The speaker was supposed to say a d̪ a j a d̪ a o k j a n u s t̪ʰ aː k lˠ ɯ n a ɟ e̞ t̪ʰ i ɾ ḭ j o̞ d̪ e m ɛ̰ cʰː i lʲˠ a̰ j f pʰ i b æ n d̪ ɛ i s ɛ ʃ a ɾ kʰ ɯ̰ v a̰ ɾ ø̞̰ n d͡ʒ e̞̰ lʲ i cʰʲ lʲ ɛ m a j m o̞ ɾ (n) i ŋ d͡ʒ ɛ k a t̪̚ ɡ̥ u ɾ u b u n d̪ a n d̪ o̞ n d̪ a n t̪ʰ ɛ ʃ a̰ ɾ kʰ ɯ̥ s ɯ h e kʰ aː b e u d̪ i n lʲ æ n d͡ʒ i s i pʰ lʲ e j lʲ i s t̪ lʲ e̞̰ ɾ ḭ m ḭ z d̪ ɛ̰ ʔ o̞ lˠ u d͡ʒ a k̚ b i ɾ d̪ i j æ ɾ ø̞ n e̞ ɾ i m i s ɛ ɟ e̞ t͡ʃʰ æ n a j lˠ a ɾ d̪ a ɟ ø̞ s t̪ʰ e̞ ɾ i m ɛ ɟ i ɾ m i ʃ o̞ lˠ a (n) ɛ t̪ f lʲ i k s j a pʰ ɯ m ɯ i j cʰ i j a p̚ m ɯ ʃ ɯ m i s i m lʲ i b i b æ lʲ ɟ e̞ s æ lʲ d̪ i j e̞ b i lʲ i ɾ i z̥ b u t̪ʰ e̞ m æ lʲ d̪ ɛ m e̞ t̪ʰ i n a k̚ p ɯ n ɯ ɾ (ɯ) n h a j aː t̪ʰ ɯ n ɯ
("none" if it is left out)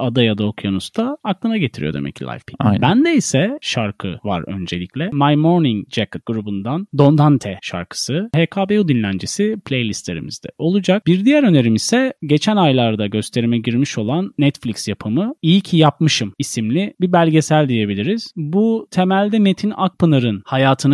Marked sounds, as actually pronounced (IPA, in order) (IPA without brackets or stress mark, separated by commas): n, nː, ɯ